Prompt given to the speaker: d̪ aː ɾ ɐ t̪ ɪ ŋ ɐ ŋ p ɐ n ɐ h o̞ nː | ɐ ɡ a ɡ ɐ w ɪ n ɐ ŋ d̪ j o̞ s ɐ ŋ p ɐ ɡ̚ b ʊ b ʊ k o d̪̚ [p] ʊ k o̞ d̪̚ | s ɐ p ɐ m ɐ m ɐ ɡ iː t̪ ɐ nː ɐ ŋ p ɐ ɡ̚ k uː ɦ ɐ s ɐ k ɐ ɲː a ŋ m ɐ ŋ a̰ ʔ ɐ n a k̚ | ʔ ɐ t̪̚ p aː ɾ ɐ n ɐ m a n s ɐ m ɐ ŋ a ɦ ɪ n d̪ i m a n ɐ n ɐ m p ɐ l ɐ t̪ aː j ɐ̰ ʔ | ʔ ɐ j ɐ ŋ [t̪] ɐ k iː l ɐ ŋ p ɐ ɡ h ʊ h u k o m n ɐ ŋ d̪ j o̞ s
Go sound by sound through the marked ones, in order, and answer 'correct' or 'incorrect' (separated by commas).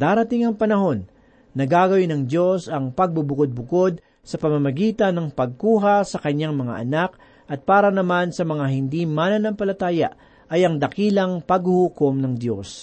incorrect, incorrect